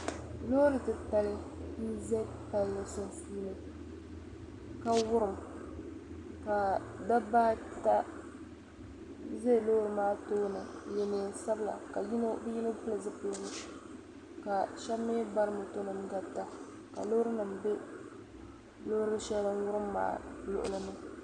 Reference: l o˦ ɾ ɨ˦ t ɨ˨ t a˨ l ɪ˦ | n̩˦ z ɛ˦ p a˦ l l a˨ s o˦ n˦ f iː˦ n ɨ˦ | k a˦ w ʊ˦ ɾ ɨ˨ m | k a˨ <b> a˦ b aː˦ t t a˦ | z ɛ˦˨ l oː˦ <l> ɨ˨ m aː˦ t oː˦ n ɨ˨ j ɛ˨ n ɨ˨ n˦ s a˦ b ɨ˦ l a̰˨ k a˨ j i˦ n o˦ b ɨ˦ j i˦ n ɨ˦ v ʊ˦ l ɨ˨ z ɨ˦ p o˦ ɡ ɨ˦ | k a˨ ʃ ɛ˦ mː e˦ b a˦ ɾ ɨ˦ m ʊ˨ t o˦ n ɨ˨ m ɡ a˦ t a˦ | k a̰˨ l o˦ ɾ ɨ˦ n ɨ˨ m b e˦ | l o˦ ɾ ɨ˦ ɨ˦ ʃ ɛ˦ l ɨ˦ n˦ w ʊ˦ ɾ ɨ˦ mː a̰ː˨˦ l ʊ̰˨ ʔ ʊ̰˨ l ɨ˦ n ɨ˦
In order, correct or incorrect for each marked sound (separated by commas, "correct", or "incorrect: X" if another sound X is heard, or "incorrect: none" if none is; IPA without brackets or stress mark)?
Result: incorrect: d, incorrect: ɾ